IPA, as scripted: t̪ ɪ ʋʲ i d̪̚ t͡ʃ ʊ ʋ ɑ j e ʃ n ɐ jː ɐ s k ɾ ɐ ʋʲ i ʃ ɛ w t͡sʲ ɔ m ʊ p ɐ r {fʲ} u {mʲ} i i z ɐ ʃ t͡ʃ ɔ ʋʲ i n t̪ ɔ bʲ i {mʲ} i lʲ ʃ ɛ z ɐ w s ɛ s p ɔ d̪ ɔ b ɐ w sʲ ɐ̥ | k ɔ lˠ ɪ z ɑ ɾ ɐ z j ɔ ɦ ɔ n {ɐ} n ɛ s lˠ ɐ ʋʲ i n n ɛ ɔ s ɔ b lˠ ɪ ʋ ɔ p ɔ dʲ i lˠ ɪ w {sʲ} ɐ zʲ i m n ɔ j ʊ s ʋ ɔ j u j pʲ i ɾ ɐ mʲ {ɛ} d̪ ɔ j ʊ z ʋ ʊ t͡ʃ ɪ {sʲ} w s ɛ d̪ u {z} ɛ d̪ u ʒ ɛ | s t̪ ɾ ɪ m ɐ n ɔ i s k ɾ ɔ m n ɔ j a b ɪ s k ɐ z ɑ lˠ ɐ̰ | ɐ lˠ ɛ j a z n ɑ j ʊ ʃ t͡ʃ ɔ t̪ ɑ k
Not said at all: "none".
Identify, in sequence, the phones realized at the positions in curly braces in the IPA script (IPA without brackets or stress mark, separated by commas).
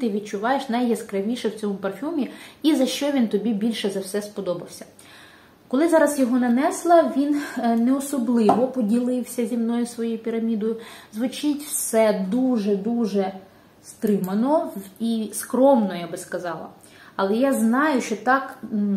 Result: fʲ, mʲ, bʲ, ɐ, sʲ, i, tʲ, ʒ